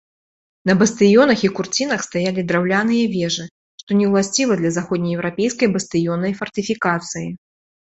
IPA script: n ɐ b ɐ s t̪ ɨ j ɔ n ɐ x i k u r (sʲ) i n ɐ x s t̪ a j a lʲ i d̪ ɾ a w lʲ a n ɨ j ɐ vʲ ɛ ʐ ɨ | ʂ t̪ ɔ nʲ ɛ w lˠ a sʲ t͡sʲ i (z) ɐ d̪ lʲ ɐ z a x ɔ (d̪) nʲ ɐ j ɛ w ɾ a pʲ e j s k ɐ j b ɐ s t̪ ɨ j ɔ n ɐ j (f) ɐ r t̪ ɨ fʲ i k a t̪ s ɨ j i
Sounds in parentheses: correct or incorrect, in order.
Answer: incorrect: t͡sʲ, incorrect: v, correct, correct

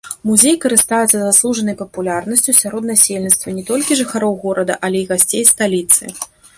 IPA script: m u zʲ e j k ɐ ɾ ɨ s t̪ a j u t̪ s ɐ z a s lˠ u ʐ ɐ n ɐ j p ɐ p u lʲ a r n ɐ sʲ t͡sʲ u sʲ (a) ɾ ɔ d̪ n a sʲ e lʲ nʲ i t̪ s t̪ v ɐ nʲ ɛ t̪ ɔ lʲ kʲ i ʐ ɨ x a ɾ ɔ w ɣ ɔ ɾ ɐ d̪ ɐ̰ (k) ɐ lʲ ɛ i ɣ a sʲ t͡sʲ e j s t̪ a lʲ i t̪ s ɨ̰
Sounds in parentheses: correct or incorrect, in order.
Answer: correct, incorrect: ʔ

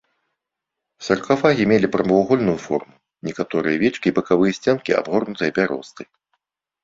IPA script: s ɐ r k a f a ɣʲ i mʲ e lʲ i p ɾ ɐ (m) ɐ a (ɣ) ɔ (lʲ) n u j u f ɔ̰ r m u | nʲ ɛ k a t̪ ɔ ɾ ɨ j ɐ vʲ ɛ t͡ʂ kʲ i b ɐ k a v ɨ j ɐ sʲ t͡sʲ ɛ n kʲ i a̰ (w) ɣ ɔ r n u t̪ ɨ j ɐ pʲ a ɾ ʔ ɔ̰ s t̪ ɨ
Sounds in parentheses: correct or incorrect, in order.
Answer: correct, correct, correct, incorrect: b

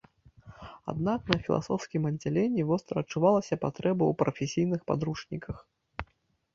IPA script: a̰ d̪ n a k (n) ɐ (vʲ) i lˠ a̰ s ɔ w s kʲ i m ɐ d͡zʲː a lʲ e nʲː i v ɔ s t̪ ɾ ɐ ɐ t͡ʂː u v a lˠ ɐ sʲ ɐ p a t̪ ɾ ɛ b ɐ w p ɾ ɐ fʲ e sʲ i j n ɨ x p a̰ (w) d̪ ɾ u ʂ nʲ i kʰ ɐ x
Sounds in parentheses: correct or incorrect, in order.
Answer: correct, incorrect: fʲ, incorrect: none

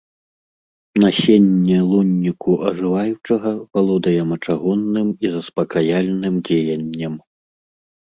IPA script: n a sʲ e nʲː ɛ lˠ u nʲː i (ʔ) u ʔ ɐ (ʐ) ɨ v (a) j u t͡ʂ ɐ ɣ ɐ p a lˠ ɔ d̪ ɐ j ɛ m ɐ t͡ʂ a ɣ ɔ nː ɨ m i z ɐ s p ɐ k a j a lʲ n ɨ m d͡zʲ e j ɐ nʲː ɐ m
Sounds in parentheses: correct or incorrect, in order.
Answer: incorrect: k, correct, correct

